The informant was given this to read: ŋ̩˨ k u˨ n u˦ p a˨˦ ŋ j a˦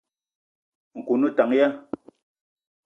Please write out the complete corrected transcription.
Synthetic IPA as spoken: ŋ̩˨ k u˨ n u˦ t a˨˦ ŋ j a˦